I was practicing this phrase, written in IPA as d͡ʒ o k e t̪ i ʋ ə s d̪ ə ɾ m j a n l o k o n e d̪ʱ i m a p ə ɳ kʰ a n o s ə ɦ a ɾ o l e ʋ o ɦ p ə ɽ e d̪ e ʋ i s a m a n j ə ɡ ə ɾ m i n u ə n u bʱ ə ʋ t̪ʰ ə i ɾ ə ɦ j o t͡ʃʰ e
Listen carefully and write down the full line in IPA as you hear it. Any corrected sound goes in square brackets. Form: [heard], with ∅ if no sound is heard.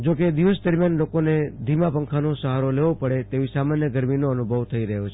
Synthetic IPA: d͡ʒ o k e [d̪] i ʋ ə s d̪ ə ɾ m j a n l o k o n e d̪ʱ i m a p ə [ŋ] kʰ a n o s ə ɦ a ɾ o l e ʋ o [∅] p ə ɽ e [t̪] e ʋ i s a m a n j ə ɡ ə ɾ m i n [o] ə n u bʱ ə ʋ t̪ʰ ə i ɾ ə ɦ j o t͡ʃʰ e